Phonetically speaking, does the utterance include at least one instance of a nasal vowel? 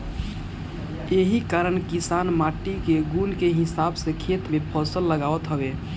no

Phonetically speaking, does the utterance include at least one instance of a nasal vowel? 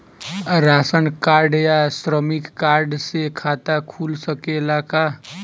no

